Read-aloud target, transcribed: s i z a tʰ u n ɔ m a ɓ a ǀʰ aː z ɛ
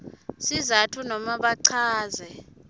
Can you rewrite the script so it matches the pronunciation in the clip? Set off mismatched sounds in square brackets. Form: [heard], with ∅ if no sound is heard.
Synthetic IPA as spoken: s i z a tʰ u n ɔ m a ɓ a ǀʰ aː z ɛ